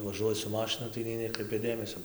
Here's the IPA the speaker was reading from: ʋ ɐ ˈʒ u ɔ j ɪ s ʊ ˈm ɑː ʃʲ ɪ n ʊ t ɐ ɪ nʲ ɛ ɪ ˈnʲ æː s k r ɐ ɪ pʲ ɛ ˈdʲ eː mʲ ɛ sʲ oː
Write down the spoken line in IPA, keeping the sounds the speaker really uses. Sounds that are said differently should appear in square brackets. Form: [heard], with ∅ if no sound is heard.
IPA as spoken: ʋ ɐ ˈʒ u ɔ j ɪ s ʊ ˈm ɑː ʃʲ ɪ n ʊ t ɐ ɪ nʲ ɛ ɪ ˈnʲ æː [∅] k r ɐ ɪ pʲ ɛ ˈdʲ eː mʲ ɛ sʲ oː